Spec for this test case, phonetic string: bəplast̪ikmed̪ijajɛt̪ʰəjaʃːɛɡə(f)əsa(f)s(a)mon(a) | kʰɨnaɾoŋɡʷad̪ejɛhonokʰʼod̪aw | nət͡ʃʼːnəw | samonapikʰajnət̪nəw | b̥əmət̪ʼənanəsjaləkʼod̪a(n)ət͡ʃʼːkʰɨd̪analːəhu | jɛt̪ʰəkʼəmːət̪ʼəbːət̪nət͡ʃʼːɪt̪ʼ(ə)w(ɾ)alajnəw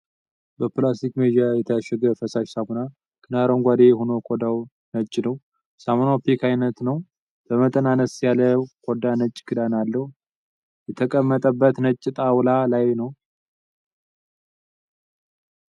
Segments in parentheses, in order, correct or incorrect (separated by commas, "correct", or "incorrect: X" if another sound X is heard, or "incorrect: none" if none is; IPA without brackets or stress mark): correct, incorrect: ʃ, correct, correct, correct, incorrect: a, incorrect: l